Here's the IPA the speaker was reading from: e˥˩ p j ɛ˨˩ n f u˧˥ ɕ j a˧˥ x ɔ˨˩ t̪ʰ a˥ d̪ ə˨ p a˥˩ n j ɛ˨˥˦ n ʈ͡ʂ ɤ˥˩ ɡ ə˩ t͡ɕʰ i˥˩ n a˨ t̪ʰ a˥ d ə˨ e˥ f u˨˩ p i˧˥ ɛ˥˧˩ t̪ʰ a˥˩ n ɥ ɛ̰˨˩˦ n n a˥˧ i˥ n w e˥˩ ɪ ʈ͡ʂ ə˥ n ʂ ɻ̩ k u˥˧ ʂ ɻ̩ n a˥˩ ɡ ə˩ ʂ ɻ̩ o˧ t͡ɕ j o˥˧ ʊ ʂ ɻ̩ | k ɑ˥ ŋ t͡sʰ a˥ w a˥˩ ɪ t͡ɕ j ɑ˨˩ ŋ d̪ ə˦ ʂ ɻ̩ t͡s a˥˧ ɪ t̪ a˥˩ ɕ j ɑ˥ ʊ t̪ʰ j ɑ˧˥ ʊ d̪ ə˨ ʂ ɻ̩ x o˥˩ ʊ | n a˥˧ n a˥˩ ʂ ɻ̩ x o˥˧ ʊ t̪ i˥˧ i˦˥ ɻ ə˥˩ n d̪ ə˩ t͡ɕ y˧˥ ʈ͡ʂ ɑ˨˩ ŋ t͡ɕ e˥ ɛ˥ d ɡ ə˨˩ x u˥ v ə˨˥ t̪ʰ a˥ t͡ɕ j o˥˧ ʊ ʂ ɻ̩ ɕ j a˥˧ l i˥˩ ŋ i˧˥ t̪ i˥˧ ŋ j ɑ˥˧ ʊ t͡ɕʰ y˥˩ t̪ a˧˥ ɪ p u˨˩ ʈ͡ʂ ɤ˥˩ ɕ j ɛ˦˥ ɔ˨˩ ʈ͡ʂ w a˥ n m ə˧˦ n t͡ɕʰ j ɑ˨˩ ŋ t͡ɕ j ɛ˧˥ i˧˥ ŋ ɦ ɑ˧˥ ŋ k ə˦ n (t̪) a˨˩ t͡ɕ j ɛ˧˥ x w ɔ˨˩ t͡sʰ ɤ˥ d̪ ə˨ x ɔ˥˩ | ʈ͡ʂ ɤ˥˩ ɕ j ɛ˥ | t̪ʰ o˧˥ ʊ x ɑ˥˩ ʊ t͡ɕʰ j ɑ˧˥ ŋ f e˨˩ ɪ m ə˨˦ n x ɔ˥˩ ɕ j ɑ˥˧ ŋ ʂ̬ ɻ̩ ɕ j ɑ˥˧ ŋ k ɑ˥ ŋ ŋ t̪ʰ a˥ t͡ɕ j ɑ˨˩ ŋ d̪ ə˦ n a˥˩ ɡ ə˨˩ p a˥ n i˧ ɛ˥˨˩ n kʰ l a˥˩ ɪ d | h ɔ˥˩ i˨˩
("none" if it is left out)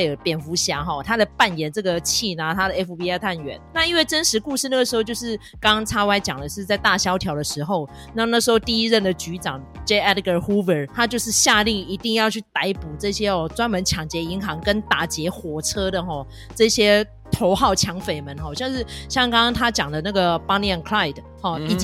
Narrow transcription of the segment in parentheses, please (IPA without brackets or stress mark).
t̪